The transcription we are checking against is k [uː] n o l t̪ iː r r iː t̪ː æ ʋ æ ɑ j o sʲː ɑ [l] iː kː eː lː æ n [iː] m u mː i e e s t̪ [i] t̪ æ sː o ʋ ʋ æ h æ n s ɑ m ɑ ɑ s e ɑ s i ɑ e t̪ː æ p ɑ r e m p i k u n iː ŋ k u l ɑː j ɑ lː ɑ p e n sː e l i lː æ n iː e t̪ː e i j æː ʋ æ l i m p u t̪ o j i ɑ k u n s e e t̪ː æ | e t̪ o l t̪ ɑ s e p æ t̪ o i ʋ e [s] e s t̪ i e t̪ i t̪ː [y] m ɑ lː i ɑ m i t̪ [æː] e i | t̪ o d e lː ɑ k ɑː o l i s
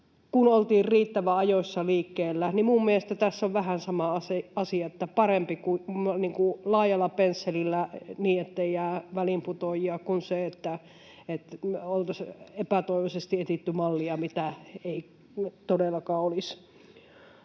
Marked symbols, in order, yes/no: no, yes, no, no, yes, yes, no

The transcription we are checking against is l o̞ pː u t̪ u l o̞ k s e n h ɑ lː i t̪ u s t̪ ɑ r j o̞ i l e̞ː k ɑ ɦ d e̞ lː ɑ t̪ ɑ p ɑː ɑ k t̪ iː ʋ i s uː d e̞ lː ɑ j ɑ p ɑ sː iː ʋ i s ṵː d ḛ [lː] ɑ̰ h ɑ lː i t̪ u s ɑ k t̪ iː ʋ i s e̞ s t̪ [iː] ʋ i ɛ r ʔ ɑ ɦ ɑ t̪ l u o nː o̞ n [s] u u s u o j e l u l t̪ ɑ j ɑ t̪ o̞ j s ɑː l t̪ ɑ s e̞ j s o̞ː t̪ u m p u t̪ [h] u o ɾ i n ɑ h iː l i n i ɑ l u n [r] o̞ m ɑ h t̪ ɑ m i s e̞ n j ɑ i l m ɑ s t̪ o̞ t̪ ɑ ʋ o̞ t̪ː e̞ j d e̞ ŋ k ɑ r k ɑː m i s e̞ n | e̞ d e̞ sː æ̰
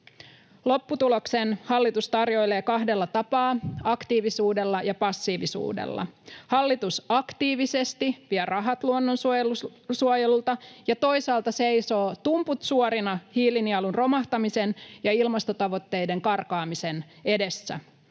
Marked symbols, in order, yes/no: yes, no, yes, no, yes

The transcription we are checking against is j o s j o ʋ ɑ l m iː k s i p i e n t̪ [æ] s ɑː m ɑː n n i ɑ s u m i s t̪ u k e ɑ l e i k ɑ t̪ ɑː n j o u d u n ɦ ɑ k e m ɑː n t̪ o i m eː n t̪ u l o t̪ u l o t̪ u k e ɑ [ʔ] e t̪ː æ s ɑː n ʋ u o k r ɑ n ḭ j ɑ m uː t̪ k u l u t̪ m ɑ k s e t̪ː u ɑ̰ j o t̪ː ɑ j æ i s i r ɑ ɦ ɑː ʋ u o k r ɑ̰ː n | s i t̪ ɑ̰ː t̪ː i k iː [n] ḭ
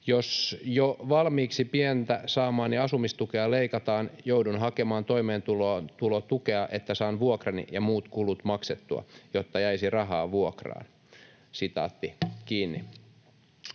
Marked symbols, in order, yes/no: yes, yes, no

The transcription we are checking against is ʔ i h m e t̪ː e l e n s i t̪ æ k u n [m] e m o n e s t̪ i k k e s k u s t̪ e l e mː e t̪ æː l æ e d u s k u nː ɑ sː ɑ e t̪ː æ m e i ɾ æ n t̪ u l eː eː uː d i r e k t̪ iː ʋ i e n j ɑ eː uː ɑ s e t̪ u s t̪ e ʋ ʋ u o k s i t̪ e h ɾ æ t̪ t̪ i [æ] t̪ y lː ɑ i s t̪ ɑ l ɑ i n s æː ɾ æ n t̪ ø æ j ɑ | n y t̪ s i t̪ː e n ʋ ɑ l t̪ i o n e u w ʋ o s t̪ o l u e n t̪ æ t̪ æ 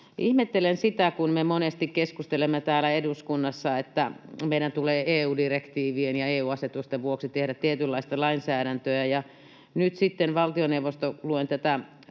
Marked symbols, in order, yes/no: yes, no

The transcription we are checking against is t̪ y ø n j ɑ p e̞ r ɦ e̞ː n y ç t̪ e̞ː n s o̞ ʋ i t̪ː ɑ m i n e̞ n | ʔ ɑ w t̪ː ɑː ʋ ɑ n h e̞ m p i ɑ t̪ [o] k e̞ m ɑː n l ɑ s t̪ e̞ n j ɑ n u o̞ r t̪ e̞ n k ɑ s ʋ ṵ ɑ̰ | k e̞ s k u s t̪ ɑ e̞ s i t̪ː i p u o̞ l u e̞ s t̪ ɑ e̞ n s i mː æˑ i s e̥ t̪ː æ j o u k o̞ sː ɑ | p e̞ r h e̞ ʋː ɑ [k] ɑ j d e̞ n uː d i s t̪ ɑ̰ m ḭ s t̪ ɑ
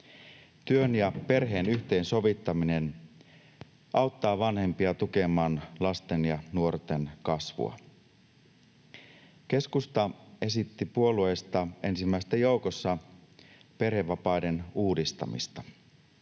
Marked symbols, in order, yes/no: no, no

